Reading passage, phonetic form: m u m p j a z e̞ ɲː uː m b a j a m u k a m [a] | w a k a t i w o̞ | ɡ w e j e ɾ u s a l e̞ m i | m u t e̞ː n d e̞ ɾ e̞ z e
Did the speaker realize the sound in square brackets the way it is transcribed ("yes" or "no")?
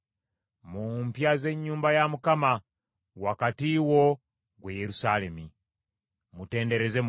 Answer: yes